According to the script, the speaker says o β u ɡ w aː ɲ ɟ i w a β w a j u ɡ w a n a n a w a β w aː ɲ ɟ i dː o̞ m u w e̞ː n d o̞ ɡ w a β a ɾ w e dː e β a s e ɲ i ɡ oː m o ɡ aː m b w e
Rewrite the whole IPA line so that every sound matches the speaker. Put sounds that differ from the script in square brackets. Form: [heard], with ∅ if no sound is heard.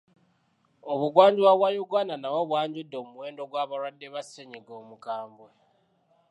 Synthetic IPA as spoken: o β u ɡ w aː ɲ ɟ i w a β w a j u ɡ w a n a n a w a β w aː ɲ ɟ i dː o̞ m u w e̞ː n d o̞ ɡ w a β a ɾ w [a] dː e β a s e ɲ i ɡ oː m [u] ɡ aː m b w e